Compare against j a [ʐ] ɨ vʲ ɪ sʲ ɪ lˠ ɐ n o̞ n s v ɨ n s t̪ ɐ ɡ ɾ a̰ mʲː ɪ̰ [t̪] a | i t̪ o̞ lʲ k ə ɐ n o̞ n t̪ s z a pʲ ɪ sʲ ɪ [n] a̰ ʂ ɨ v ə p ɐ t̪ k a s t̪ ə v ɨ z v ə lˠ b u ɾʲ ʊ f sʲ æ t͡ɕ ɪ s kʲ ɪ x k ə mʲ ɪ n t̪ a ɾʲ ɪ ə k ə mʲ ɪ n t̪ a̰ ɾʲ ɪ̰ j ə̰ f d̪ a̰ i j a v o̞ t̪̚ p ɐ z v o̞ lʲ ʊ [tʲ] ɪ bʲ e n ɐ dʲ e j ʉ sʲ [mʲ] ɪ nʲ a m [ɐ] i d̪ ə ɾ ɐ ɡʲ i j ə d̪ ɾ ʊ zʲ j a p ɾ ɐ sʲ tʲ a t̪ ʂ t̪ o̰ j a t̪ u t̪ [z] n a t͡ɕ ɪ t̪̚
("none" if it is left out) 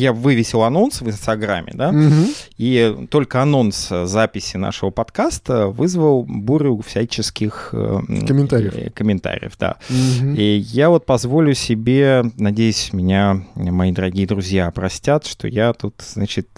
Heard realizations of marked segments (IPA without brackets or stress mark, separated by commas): v, d̪, n, sʲ, mʲ, ɐ, z